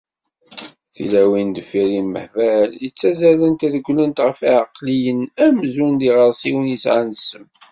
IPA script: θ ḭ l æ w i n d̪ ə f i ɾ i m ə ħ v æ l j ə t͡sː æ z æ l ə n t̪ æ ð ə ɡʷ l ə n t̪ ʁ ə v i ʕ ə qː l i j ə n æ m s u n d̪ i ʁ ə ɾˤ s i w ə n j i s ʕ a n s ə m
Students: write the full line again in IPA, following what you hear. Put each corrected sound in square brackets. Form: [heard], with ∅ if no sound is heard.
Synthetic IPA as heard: θ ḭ l æ w i n d̪ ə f i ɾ i m ə ħ v æ l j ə t͡sː æ z æ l ə n t̪ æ ð ə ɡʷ l ə n t̪ ʁ ə [f] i ʕ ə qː l i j ə n æ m [z] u n d̪ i ʁ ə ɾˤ s i w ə n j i s ʕ a n s ə m